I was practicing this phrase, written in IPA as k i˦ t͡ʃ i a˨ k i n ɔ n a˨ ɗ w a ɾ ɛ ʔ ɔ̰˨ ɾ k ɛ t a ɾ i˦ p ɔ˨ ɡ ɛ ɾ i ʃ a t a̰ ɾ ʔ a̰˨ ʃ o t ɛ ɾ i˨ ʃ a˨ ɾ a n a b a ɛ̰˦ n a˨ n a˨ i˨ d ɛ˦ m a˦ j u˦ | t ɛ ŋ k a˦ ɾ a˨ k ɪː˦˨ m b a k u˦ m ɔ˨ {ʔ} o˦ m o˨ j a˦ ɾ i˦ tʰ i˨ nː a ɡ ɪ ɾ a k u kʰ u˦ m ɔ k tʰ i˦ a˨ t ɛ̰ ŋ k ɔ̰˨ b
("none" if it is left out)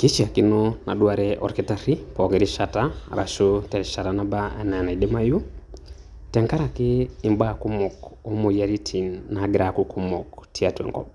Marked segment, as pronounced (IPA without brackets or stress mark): k